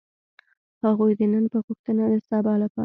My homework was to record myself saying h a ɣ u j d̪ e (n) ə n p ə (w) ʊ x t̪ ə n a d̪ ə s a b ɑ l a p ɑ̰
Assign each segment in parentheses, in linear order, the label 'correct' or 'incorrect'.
correct, incorrect: ɣ

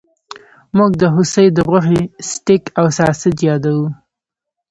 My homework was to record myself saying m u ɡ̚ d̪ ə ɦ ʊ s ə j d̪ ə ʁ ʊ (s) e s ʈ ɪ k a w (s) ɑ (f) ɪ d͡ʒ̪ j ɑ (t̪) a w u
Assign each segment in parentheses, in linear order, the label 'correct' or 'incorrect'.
incorrect: x, correct, incorrect: s, incorrect: d̪

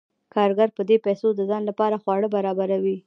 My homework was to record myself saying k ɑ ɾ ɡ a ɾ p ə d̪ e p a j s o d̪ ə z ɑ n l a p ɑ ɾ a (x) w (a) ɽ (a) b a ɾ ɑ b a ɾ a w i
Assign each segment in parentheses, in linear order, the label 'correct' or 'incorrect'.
correct, incorrect: ɑ, incorrect: ə

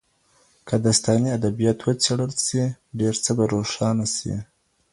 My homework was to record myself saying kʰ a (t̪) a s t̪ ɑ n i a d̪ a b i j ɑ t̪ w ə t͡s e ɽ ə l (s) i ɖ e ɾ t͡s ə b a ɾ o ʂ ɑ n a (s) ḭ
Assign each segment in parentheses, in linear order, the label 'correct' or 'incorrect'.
incorrect: d̪, correct, correct

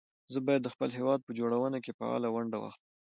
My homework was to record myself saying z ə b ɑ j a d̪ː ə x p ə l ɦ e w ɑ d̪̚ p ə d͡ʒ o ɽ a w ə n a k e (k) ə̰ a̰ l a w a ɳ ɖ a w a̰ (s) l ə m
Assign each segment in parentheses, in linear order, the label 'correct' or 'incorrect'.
incorrect: p, incorrect: x

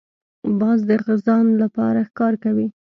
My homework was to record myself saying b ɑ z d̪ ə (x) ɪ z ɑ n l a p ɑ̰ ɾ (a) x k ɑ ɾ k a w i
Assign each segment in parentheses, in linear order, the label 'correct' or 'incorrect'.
incorrect: ɣ, correct

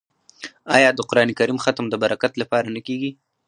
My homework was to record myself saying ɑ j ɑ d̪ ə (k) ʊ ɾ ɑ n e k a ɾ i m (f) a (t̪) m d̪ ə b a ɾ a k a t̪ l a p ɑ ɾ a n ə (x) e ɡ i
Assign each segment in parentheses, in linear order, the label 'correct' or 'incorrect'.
incorrect: q, incorrect: x, correct, incorrect: k

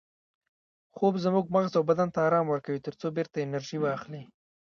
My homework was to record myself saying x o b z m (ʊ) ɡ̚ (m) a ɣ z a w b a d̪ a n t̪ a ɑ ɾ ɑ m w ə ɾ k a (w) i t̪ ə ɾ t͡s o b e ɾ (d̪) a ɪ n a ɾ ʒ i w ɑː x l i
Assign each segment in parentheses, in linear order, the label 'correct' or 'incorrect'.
incorrect: u, correct, correct, incorrect: t̪

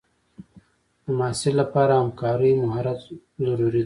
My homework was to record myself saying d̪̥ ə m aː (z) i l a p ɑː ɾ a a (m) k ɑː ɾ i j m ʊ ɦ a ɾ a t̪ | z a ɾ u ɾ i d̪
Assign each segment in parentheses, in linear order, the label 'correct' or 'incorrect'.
incorrect: s, correct

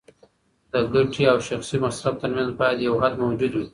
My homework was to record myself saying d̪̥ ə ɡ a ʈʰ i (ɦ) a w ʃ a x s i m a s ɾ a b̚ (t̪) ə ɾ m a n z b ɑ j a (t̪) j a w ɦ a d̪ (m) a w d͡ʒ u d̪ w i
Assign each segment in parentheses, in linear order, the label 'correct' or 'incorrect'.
incorrect: none, correct, incorrect: d̪, correct

